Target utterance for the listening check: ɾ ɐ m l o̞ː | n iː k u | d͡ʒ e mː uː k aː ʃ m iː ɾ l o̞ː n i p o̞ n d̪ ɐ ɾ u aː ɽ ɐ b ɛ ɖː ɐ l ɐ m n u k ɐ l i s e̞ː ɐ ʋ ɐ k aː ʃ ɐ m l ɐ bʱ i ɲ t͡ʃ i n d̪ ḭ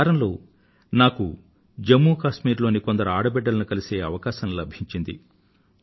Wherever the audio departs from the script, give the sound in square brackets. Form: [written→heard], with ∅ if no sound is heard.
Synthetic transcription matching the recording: ɾ ɐ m l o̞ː | n [iː→aː] k u | d͡ʒ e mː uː k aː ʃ m iː ɾ l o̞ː n i [p→k] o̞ n d̪ ɐ ɾ u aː ɽ ɐ b ɛ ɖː ɐ l ɐ [m→∅] n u k ɐ l i s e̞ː ɐ ʋ ɐ k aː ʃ ɐ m l ɐ bʱ i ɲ t͡ʃ i n d̪ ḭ